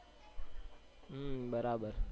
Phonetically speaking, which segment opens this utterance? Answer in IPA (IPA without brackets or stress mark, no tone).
b